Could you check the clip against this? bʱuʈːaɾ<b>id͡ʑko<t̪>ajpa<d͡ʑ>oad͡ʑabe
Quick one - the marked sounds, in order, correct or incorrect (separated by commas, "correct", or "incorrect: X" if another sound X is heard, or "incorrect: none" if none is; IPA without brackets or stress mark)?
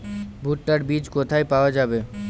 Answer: correct, incorrect: t̪ʰ, incorrect: none